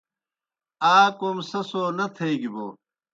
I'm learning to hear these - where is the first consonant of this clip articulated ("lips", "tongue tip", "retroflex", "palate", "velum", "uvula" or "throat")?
velum